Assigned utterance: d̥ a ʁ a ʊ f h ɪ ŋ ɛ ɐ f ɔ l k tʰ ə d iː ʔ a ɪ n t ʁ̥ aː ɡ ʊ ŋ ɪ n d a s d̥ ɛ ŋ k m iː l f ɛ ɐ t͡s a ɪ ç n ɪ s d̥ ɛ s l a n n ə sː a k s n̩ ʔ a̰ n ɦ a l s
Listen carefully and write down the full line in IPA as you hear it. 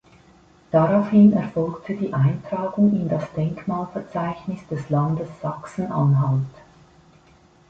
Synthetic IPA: d̥ a ʁ a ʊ f h ɪ n ɛ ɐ f ɔ l k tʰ ə d iː ʔ a ɪ n t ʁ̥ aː ɡ ʊ ŋ ɪ n d a s d̥ ɛ ŋ k m aː l f ɛ ɐ t͡s a ɪ ç n ɪ s d̥ ɛ s l a n d ə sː a k s n̩ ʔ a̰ n ɦ a l t